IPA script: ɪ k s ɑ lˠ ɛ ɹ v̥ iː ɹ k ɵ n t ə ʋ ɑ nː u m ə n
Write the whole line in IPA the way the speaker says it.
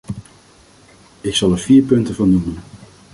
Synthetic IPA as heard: ɪ k s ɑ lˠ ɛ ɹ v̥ iː ɹ p ɵ n t ə v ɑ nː u m ə n